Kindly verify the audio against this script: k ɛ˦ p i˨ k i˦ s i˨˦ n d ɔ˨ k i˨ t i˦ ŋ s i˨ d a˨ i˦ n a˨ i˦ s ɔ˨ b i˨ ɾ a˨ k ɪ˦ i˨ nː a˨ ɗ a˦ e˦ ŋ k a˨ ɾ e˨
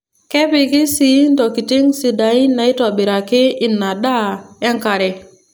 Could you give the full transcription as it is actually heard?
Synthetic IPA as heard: k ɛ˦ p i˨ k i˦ s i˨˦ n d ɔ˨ k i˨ t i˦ ŋ s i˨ d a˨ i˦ n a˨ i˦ t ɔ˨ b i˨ ɾ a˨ k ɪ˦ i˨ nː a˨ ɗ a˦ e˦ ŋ k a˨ ɾ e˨